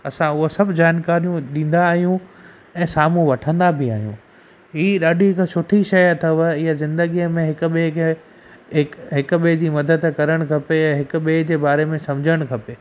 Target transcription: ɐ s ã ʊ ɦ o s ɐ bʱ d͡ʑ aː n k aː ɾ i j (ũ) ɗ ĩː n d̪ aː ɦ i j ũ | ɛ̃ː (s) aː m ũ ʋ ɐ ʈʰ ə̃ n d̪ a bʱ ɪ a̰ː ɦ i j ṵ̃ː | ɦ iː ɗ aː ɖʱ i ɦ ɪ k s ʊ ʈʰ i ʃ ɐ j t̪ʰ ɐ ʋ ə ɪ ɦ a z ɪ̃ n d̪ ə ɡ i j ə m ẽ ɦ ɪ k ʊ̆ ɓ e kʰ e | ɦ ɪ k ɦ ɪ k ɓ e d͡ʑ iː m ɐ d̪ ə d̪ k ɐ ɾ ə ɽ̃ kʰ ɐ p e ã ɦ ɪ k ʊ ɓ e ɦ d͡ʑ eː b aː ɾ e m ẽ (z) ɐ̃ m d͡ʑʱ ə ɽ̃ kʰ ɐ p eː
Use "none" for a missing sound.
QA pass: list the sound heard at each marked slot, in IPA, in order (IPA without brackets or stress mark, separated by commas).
ũ, s, s